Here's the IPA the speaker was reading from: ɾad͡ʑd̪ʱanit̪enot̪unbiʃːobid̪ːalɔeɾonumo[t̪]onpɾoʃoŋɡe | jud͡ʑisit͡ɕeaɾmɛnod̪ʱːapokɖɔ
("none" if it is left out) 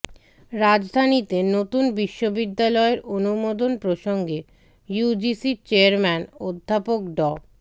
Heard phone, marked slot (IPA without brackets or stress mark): d̪